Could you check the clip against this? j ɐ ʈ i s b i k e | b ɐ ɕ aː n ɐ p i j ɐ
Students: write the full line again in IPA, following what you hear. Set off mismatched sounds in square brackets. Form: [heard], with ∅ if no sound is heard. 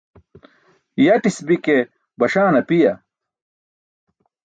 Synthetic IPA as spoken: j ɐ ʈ i s b i k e | b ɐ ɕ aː n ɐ p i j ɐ

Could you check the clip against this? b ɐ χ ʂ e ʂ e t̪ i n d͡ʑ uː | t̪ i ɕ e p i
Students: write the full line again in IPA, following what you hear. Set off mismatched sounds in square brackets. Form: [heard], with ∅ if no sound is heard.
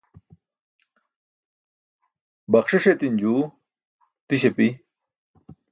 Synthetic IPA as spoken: b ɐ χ ʂ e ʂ e t̪ i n d͡ʑ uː | t̪ i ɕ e p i

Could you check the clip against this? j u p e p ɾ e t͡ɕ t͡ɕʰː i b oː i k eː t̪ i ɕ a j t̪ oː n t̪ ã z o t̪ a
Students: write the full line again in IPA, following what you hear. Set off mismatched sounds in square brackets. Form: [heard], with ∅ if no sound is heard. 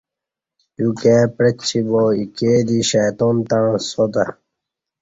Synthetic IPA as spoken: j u [k] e p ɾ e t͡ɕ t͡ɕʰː i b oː i k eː [d̪] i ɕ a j t̪ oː n t̪ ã [s] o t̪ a

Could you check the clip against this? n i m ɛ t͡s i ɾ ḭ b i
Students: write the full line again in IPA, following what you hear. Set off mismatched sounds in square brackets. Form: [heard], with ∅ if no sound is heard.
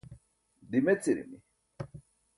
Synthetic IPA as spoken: [d] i m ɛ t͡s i ɾ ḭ [m] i

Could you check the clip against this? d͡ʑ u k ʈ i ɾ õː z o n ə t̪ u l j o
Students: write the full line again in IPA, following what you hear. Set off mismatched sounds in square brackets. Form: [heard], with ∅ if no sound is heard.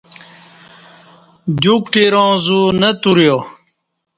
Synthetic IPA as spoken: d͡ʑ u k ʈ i ɾ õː z [u] n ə t̪ u [ɾ] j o

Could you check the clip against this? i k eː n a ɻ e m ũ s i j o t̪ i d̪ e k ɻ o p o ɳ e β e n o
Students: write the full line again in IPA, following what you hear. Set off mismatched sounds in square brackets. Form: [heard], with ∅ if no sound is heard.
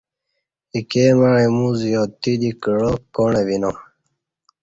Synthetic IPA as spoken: i k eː [m] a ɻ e m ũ [z] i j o t̪ i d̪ [i] k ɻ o [k] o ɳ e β [i] n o

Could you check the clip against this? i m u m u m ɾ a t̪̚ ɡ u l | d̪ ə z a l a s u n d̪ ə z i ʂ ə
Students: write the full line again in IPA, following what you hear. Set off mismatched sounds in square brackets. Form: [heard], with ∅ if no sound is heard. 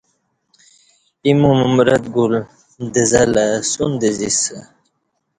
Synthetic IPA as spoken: i m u m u m ɾ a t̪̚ ɡ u l | d̪ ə z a l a s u n d̪ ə z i [s] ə

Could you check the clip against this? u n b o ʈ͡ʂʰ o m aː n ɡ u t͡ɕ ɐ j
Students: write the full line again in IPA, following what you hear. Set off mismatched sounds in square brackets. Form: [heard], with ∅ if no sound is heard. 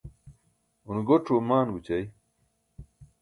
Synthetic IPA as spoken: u n [ɡ] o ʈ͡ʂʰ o m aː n ɡ u t͡ɕ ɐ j

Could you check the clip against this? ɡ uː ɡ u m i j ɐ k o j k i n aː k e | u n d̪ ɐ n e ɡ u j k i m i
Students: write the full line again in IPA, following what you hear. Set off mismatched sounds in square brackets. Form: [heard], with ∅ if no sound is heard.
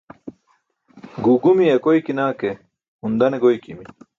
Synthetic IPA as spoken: ɡ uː ɡ u m i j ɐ k o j k i n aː k e | u n d̪ ɐ n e ɡ [o] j k i m i

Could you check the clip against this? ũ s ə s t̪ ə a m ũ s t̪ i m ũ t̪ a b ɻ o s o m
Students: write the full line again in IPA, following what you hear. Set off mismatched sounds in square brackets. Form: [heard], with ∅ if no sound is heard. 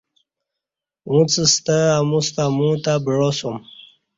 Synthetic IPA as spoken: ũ [t͡s] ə s t̪ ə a m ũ s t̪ [a] m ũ t̪ a b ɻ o s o m

